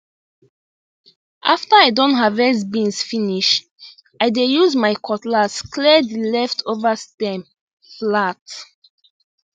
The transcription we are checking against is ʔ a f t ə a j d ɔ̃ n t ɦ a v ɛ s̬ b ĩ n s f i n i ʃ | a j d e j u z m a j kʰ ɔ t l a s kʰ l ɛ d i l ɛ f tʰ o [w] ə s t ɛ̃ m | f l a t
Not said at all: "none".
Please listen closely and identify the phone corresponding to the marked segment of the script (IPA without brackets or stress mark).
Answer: v